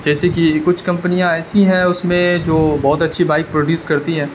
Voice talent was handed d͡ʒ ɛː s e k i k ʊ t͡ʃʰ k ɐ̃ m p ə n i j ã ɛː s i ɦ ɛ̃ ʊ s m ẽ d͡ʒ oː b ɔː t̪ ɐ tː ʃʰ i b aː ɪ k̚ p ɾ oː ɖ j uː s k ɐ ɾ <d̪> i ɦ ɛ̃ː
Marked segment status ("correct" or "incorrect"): incorrect